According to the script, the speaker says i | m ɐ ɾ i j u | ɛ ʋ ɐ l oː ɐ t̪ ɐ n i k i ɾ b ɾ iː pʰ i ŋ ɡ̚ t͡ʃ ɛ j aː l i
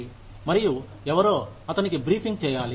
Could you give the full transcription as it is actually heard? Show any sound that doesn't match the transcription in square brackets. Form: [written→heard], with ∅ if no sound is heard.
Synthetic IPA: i | m ɐ ɾ i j u | ɛ ʋ ɐ [l→ɾ] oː ɐ t̪ ɐ n i k i [ɾ→∅] b ɾ iː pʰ i ŋ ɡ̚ t͡ʃ [ɛ→ɛː] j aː l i